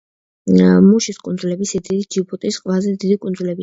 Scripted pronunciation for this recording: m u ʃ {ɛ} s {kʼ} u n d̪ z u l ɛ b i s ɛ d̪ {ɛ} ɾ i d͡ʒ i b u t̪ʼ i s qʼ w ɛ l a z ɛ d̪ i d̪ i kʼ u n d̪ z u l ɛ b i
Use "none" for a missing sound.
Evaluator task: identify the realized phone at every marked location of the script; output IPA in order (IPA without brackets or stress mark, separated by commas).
i, kʼ, i